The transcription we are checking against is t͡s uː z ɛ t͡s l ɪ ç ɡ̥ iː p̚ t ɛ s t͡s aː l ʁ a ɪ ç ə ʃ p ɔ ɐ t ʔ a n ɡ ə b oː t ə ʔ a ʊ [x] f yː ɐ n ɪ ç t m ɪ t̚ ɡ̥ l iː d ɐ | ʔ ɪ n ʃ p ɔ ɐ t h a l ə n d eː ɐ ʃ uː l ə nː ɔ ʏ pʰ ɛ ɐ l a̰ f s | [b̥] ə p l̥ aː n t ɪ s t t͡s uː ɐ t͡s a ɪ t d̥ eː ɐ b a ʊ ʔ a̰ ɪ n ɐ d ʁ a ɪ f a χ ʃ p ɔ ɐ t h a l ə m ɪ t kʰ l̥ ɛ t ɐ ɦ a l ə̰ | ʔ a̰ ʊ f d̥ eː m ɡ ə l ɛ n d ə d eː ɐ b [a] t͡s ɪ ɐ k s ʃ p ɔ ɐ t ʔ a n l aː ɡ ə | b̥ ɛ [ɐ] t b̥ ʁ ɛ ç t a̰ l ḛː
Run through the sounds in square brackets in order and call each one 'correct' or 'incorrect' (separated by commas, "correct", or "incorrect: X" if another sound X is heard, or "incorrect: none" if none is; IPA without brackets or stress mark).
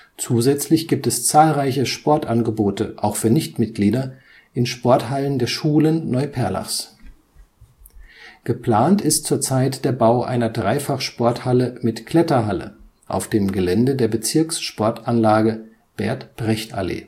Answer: correct, incorrect: ɡ̥, incorrect: ə, correct